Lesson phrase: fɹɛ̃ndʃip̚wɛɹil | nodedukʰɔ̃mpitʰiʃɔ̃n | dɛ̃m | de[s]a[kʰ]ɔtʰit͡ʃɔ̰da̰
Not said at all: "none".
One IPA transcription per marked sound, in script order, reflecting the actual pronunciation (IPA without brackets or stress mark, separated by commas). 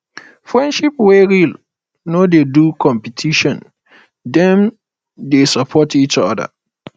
s, pʰ